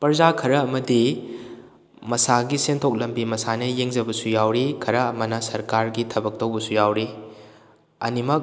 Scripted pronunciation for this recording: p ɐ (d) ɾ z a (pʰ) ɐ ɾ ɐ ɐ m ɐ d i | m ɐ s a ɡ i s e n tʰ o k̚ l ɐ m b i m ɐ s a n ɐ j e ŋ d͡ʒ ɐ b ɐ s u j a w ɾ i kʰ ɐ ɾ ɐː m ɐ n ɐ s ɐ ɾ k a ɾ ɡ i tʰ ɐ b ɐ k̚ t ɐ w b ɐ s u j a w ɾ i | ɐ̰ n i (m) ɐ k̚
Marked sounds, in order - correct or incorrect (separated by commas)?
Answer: incorrect, incorrect, correct